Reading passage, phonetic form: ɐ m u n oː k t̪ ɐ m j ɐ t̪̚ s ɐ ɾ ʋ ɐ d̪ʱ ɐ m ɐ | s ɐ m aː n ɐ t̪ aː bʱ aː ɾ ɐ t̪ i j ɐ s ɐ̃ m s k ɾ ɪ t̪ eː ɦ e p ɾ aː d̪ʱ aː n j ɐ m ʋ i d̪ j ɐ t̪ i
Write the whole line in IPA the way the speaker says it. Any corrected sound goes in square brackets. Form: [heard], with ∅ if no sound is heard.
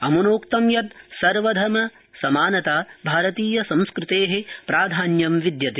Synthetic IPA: ɐ m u n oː k t̪ ɐ m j ɐ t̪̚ s ɐ ɾ ʋ ɐ d̪ʱ ɐ m ɐ | s ɐ m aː n ɐ t̪ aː bʱ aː ɾ ɐ t̪ [iː] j ɐ s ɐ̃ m s k ɾ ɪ t̪ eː ɦ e p ɾ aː d̪ʱ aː n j ɐ m ʋ i d̪ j ɐ t̪ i